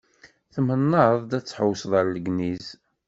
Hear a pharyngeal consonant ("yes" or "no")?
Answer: yes